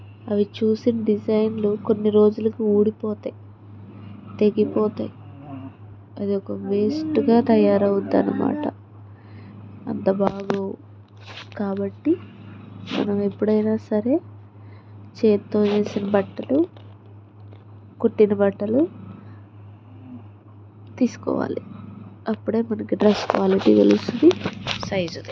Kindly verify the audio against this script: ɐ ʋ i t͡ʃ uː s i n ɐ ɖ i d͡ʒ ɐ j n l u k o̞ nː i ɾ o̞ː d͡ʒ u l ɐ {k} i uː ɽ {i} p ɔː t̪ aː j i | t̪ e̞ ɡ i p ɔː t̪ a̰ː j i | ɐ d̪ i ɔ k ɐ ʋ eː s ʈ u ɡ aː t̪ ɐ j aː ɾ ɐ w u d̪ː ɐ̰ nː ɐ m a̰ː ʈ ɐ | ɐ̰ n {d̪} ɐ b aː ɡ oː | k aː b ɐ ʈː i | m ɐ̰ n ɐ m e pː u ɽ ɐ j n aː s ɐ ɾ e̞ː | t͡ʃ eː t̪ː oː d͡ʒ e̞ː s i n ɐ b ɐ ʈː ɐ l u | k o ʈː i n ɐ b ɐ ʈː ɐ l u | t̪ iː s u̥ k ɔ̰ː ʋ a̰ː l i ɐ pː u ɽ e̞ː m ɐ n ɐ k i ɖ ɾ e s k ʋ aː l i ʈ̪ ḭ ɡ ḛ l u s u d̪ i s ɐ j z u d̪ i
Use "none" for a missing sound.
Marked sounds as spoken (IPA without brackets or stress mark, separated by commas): k, i, t̪